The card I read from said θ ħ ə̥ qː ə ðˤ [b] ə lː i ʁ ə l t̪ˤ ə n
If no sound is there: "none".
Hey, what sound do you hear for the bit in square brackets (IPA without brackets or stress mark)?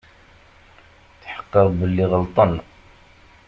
b